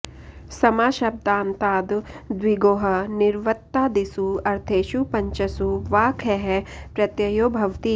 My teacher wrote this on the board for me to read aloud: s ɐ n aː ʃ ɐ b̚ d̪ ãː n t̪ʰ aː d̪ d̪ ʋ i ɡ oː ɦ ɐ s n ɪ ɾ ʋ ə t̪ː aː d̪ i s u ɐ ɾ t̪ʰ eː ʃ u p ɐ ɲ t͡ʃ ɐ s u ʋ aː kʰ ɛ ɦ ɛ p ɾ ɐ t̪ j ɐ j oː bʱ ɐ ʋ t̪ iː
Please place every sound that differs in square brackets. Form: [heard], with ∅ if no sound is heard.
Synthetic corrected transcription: s ɐ [m] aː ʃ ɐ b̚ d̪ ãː n [t̪] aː d̪ d̪ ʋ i ɡ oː ɦ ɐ [∅] n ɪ ɾ ʋ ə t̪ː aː d̪ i s u ɐ ɾ t̪ʰ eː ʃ u p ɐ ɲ t͡ʃ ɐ s u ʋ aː kʰ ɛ ɦ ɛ p ɾ ɐ t̪ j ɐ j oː bʱ ɐ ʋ t̪ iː